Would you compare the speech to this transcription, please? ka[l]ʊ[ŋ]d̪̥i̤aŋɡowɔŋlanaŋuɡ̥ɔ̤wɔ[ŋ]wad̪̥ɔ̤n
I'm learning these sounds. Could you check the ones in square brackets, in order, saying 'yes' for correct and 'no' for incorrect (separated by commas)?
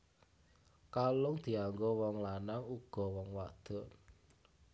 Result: yes, yes, yes